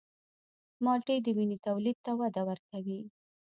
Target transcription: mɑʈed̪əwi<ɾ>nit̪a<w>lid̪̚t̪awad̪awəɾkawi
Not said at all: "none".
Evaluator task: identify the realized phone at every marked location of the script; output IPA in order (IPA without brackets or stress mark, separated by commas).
none, w